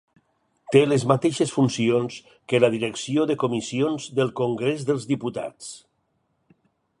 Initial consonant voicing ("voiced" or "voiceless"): voiceless